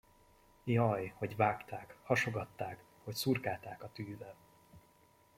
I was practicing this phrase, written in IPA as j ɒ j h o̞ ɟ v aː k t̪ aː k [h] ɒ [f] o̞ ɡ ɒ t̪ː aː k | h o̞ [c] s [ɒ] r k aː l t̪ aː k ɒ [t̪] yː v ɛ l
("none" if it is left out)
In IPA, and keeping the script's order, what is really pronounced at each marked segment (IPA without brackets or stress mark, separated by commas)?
h, ʃ, c, u, t̪